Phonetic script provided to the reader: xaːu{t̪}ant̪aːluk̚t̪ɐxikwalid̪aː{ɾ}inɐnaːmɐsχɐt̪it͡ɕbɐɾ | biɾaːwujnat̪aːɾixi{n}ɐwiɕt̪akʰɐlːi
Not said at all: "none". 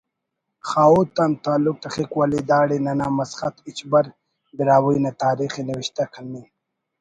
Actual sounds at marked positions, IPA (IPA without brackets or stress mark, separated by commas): t̪, ɽ, n